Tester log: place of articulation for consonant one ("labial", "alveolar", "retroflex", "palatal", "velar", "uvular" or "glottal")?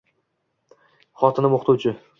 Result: uvular